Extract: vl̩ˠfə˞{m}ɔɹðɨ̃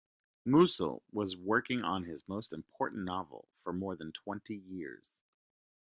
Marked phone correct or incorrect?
correct